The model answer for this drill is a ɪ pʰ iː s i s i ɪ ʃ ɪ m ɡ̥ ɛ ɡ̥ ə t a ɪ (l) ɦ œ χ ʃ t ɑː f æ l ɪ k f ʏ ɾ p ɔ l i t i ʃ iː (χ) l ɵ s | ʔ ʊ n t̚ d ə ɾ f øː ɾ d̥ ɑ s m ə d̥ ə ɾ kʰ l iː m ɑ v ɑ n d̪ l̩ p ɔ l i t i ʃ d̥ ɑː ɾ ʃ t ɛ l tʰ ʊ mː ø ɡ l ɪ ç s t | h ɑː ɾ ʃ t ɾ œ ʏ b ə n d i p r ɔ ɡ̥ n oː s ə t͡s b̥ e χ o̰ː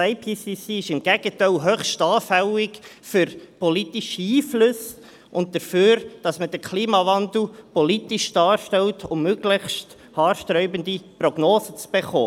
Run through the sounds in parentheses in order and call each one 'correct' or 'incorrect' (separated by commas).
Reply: correct, incorrect